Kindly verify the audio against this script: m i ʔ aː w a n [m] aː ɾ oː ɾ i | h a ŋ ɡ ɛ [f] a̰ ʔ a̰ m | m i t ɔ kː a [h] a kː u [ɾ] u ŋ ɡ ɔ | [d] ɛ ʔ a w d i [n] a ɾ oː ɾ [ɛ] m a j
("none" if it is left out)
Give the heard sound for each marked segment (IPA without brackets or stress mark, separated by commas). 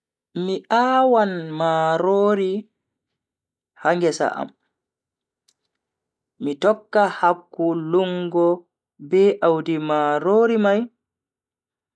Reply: m, s, h, l, b, m, i